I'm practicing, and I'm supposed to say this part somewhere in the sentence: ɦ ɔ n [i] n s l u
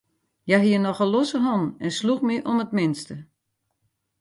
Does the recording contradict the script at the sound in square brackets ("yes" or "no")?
yes